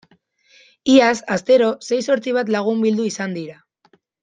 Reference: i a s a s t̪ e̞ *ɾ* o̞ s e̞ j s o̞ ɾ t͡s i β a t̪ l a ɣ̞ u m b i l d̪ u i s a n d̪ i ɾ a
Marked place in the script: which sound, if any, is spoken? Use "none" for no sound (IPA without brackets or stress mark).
ɾ